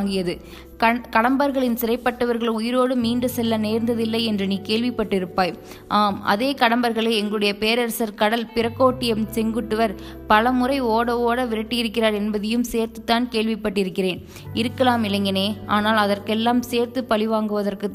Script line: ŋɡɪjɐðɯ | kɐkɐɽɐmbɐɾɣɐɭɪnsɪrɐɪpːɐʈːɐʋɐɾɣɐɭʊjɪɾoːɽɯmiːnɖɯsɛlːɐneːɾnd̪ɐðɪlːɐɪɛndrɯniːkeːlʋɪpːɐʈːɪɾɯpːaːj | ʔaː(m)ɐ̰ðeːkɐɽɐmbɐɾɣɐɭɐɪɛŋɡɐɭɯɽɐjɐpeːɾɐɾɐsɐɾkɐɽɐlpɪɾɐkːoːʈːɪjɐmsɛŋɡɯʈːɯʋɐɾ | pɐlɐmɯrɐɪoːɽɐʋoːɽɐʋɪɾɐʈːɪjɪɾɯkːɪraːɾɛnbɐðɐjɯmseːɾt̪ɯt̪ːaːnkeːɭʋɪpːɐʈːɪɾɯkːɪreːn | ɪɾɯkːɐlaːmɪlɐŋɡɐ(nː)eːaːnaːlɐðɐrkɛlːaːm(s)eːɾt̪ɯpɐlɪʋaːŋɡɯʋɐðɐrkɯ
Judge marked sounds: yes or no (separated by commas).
yes, no, yes